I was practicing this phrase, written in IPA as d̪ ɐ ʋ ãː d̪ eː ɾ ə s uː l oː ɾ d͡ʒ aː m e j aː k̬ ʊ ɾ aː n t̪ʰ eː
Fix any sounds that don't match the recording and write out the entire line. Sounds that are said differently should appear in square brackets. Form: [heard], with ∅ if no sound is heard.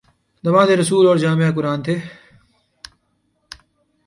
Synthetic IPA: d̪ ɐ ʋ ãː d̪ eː ɾ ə s uː l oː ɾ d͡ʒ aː m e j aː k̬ ʊ ɾ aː n t̪ʰ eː